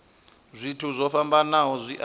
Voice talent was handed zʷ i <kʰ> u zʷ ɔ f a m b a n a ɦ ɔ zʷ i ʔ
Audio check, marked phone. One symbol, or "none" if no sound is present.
tʰ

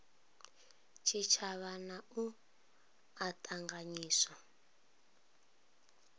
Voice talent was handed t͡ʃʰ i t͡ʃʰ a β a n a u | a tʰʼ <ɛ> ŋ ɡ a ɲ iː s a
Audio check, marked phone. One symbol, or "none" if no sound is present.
a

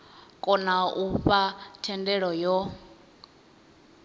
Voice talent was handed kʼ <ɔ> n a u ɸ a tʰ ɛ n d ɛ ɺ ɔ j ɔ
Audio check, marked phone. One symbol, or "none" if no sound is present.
ɔ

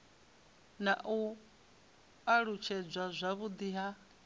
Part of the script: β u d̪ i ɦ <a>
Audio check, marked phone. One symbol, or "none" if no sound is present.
a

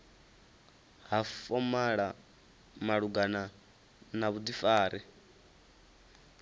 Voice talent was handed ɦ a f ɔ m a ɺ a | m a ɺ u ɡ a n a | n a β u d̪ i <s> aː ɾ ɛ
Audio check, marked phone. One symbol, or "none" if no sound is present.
f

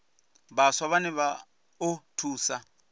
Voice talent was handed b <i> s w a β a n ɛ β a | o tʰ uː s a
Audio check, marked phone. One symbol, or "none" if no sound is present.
a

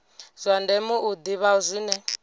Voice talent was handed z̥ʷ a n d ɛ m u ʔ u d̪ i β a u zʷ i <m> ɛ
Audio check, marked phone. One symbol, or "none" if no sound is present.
n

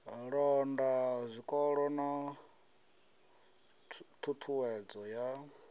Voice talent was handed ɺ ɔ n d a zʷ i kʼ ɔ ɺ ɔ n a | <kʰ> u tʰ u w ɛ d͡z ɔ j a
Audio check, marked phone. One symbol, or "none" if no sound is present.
tʰ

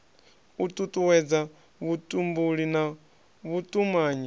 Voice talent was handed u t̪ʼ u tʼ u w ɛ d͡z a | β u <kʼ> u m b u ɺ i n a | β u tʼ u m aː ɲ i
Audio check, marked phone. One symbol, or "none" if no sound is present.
tʼ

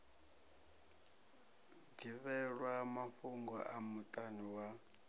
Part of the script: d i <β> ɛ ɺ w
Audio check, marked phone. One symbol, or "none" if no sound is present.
β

